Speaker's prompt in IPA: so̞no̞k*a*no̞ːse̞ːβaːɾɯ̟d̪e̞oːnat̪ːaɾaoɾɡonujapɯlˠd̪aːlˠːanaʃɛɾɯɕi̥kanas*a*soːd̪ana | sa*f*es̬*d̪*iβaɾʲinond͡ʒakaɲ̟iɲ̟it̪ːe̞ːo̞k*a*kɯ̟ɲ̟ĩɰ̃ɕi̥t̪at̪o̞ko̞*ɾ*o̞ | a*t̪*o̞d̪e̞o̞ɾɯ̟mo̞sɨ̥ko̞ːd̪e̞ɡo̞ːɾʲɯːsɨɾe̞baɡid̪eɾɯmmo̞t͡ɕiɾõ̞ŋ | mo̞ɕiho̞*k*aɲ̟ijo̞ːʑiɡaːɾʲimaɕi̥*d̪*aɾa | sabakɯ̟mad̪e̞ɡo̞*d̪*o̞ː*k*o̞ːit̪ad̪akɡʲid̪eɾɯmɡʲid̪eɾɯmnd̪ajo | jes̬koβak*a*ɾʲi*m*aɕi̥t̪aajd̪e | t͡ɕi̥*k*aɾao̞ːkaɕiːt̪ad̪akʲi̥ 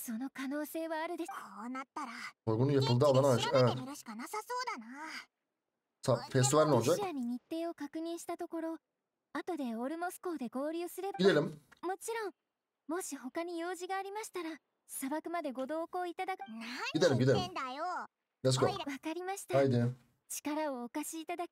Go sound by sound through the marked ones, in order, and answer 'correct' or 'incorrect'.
correct, correct, correct, incorrect: t̪, correct, correct, correct, correct, incorrect: t̪, correct, correct, correct, correct, correct

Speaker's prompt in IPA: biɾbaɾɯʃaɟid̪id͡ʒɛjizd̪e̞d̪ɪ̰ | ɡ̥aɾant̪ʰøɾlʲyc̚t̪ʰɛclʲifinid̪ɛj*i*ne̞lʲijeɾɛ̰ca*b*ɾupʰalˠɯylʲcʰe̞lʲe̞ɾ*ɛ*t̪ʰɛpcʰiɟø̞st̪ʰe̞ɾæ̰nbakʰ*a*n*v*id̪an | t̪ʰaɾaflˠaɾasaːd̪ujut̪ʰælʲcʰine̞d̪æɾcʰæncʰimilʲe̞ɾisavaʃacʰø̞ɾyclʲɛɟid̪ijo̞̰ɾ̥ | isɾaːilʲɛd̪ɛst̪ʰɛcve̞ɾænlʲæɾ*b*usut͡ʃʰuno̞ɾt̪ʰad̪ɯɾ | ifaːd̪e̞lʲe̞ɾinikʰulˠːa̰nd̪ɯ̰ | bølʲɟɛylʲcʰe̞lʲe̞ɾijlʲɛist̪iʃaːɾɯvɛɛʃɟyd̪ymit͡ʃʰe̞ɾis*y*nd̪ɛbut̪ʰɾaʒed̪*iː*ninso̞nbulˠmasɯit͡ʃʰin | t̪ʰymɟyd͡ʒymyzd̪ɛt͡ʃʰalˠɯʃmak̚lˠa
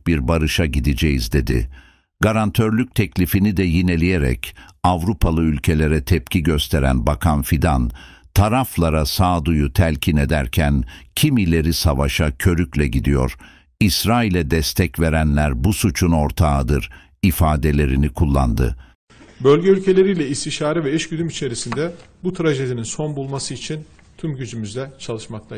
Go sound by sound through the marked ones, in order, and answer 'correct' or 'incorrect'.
correct, incorrect: v, correct, correct, incorrect: f, correct, incorrect: i, incorrect: i

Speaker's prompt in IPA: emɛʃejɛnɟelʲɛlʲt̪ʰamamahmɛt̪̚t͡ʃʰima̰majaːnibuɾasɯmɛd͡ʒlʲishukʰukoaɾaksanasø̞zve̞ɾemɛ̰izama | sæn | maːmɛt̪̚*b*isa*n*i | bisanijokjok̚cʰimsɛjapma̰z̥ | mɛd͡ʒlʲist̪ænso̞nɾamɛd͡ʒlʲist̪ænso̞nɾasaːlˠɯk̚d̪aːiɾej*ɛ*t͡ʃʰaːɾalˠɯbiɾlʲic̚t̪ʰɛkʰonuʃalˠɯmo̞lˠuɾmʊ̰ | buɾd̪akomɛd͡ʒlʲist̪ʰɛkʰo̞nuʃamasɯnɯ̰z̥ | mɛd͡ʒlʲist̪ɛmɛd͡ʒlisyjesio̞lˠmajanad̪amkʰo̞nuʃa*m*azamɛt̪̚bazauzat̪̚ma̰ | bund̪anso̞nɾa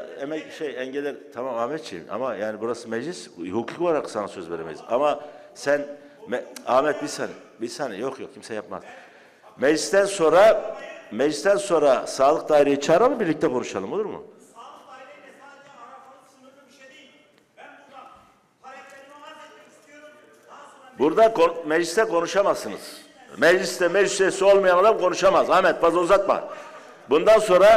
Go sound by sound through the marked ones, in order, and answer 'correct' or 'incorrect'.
correct, correct, incorrect: i, correct

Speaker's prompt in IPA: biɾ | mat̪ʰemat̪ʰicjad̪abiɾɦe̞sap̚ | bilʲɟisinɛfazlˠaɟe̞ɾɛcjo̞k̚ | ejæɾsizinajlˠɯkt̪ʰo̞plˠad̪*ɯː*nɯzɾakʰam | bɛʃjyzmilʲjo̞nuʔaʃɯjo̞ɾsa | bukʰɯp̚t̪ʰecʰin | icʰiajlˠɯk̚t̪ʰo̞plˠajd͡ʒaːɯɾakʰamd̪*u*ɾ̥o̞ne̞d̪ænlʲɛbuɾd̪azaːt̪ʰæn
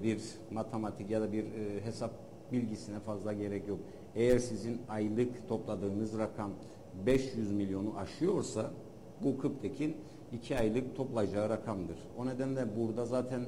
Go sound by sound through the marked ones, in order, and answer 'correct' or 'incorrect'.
correct, incorrect: ɯ

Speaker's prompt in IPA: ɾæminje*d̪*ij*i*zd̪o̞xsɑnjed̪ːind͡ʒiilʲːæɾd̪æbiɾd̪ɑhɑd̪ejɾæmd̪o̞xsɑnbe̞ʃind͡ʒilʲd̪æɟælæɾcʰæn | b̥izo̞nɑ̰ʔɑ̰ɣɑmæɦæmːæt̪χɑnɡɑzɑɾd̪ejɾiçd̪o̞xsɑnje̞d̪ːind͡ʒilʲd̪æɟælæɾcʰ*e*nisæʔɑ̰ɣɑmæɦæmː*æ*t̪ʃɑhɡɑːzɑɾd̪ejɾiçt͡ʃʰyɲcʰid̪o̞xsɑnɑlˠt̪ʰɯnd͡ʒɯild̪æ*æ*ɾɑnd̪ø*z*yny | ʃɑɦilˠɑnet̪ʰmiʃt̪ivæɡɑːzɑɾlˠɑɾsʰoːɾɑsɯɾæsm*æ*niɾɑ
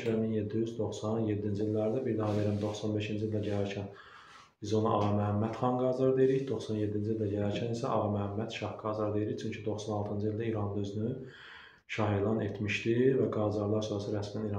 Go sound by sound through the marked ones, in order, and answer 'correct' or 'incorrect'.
incorrect: d̪ː, incorrect: y, incorrect: æ, correct, incorrect: i, correct, correct

